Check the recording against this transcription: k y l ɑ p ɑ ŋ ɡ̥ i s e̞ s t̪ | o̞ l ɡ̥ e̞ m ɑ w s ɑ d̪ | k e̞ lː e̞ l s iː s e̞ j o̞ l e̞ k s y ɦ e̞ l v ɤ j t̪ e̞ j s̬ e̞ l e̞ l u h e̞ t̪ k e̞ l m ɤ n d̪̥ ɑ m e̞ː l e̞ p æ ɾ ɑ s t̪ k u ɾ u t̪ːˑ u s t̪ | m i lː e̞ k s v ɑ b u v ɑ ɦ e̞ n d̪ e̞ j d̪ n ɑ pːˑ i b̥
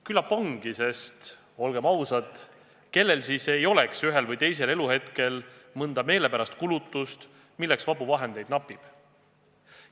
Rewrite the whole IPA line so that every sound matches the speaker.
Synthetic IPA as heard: k y l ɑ p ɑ ŋ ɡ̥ i s e̞ s t̪ | o̞ l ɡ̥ e̞ m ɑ w s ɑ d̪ | k e̞ lː e̞ l s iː s e̞ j o̞ l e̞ k s y ɦ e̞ l v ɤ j t̪ e̞ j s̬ e̞ l e̞ l u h e̞ t̪ k e̞ l m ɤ n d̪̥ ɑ m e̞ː l e̞ p æ ɾ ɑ s t̪ k u l u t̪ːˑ u s t̪ | m i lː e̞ k s v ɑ b u v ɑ ɦ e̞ n d̪ e̞ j d̪ n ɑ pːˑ i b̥